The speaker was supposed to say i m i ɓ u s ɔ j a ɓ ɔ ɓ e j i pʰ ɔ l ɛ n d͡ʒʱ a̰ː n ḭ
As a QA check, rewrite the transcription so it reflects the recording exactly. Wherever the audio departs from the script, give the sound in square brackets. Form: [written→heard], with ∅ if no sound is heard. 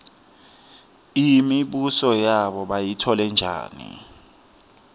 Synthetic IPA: i m i ɓ u s ɔ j a ɓ ɔ ɓ [e→a] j i [pʰ→tʰ] ɔ l ɛ n d͡ʒʱ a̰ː n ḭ